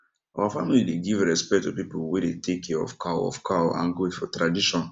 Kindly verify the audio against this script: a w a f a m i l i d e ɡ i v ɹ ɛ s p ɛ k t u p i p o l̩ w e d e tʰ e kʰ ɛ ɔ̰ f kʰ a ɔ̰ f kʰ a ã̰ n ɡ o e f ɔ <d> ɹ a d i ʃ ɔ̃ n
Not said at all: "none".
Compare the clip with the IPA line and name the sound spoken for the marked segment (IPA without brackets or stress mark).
t